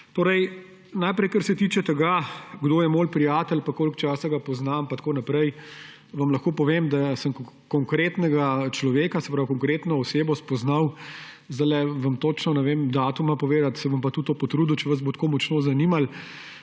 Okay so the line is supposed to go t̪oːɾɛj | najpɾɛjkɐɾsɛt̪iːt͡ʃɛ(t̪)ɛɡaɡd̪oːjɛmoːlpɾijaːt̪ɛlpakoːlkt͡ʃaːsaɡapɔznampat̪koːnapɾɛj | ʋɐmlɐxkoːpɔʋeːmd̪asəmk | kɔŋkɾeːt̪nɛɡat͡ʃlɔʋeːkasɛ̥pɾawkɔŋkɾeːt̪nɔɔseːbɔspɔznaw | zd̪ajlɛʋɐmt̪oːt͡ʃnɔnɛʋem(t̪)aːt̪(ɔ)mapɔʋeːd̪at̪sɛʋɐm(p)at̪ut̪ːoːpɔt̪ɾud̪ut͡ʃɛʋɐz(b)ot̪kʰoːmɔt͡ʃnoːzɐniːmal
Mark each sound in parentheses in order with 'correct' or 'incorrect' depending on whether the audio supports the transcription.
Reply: correct, incorrect, incorrect, correct, correct

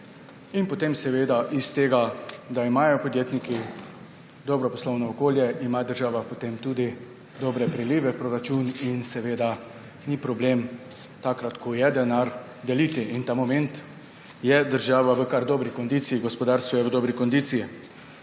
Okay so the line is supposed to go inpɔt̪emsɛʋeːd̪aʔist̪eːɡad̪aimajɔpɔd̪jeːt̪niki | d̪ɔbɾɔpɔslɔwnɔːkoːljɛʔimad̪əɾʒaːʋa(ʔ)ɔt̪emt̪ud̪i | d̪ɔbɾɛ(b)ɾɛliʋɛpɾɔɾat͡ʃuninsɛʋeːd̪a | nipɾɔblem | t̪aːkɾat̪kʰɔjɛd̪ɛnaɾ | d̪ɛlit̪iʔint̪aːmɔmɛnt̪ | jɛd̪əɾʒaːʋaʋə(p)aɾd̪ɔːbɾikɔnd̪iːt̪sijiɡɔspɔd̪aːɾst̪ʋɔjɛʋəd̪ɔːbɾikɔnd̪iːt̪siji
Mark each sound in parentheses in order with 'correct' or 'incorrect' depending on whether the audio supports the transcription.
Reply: incorrect, incorrect, incorrect

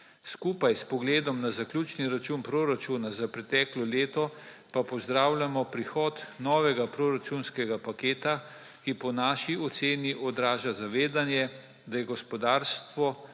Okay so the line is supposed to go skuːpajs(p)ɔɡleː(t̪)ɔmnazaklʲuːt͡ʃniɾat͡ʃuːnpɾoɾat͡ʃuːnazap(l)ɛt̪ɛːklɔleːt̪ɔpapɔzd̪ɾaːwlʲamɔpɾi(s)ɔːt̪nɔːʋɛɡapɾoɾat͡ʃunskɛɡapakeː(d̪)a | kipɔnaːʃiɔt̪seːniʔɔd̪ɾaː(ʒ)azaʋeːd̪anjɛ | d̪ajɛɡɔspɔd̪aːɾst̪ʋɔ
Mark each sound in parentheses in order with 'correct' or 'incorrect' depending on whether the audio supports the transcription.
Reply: correct, incorrect, incorrect, incorrect, incorrect, correct

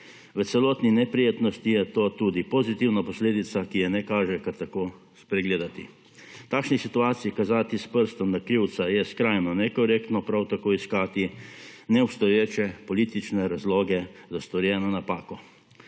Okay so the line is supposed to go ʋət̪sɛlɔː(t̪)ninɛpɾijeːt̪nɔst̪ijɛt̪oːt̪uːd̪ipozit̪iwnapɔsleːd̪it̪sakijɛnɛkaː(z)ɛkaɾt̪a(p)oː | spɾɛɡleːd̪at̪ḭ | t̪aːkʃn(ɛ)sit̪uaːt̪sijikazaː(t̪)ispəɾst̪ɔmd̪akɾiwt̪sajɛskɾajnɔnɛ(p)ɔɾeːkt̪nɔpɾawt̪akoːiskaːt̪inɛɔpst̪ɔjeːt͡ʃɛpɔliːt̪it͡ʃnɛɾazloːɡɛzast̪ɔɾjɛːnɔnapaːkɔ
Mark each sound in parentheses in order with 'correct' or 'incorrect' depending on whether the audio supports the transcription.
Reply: correct, incorrect, incorrect, incorrect, correct, incorrect

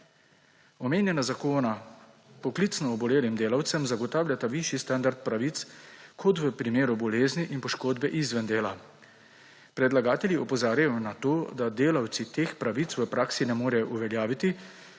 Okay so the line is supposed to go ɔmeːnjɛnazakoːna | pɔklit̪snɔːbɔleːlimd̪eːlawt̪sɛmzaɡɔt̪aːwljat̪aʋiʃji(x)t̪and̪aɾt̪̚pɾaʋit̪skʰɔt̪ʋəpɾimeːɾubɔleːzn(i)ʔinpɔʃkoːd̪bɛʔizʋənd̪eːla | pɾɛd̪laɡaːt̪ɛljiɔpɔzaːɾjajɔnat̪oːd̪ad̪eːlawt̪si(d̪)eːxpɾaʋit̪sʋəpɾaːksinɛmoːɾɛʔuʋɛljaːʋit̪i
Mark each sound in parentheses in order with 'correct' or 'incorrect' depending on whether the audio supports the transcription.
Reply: incorrect, correct, incorrect

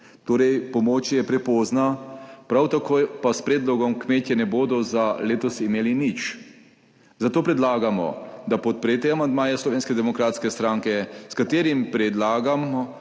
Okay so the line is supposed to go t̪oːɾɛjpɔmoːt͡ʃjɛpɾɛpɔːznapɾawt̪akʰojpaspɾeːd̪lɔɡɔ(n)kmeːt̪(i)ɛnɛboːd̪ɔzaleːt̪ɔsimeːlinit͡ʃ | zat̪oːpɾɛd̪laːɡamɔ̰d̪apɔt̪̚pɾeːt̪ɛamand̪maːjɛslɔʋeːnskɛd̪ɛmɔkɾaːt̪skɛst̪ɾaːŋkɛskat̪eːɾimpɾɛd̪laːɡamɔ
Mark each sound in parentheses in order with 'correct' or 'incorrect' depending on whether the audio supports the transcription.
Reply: incorrect, incorrect

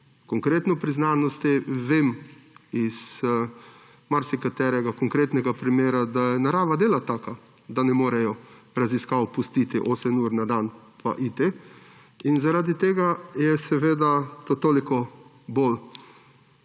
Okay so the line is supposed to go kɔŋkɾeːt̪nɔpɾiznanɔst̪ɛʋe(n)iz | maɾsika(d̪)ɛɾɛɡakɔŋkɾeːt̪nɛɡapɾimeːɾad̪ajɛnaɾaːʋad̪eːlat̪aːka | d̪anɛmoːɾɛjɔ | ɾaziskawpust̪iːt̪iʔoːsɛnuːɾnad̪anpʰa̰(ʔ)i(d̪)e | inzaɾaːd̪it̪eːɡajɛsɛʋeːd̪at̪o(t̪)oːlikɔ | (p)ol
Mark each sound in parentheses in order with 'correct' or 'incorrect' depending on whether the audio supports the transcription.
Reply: incorrect, incorrect, correct, incorrect, correct, incorrect

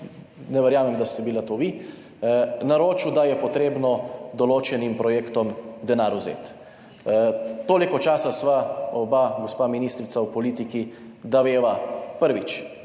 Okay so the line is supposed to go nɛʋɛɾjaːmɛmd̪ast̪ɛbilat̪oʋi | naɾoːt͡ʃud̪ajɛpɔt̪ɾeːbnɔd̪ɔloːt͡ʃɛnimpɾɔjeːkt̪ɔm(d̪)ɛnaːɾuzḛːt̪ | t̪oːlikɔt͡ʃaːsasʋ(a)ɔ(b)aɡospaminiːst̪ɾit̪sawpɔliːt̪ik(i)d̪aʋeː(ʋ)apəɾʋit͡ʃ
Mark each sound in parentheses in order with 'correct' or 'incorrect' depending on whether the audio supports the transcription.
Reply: correct, correct, correct, correct, correct

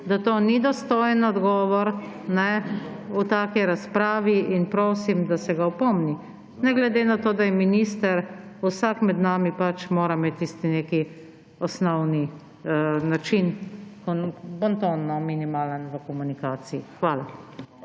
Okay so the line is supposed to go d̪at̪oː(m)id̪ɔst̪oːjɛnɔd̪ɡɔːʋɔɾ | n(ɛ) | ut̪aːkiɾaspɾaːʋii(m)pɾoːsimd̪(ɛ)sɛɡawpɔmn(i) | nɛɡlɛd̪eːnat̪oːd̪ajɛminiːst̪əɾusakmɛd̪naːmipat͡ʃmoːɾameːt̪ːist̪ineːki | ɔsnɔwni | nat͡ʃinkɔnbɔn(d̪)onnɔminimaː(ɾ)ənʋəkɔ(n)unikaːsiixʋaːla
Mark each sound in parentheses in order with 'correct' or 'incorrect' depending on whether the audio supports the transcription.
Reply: incorrect, correct, incorrect, incorrect, correct, incorrect, incorrect, incorrect

